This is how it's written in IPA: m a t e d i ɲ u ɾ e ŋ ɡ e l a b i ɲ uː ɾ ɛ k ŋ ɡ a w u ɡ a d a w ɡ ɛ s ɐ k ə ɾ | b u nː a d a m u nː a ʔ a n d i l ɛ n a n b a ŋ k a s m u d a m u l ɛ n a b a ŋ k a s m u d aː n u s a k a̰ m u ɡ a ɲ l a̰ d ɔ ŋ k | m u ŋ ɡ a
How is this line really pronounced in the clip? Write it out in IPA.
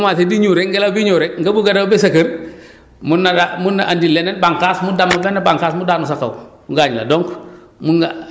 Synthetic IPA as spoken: m a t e d i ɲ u ɾ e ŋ ɡ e l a b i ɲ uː ɾ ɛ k ŋ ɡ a b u ɡ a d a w b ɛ s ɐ k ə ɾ | m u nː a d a m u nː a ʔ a n d i l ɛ n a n b a ŋ k a s m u d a m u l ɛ n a b a ŋ k a s m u d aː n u s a k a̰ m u ɡ a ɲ l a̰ d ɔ ŋ k | m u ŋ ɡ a